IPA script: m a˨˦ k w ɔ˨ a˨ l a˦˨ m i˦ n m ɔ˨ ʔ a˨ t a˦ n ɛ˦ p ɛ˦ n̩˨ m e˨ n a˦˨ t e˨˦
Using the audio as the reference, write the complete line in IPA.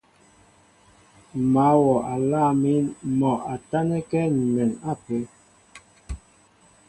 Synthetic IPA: m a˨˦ w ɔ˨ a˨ l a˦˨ m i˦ n m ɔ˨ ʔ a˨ t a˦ n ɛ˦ k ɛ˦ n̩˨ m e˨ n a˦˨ p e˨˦